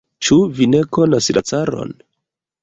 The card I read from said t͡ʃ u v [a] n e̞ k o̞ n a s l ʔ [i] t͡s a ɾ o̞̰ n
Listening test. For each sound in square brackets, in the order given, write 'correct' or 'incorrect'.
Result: incorrect: i, incorrect: a

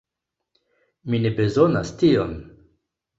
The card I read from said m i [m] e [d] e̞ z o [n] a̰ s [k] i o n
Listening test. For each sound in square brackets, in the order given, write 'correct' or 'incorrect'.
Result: incorrect: n, incorrect: b, correct, incorrect: t

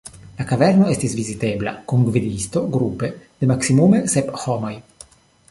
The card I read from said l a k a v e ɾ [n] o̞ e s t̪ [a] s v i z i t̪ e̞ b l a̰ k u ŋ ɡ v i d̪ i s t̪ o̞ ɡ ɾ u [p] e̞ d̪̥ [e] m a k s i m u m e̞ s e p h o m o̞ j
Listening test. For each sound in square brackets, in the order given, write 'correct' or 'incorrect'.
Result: correct, incorrect: i, correct, correct

